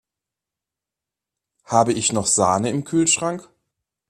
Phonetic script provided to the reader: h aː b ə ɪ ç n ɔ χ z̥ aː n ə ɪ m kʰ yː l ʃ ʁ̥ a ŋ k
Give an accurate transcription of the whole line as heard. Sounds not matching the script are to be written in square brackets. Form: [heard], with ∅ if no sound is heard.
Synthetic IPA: h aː b ə ɪ ç n ɔ χ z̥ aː n ə ɪ m kʰ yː l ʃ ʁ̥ a ŋ k